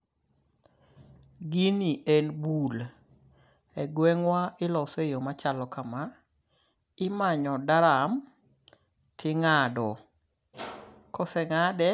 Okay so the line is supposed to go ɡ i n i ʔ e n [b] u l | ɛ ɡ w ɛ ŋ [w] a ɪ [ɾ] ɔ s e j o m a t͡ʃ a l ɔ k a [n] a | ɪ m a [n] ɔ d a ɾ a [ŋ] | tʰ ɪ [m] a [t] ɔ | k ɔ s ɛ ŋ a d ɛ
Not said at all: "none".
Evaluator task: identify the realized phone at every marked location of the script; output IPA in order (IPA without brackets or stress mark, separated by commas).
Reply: b, w, l, m, ɲ, m, ŋ, d